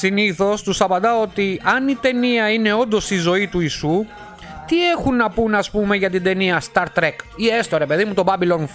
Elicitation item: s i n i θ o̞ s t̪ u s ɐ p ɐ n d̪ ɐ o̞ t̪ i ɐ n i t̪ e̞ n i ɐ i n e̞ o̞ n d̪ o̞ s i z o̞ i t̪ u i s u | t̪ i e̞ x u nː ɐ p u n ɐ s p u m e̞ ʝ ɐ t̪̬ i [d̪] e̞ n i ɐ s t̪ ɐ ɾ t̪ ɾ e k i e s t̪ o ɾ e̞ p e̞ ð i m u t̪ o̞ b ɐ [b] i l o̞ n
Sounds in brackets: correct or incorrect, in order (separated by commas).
correct, correct